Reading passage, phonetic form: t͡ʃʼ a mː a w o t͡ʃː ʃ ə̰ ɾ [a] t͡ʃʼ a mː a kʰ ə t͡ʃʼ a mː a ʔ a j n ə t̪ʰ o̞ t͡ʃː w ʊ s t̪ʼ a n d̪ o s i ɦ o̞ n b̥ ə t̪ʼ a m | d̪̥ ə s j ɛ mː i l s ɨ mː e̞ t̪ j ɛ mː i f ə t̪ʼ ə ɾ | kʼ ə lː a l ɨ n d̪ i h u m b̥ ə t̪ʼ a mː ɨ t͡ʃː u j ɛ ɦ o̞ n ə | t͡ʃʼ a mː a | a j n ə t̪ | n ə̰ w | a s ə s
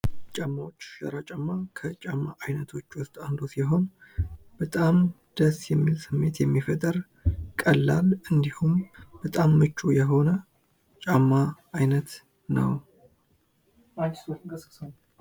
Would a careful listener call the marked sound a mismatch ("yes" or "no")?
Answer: no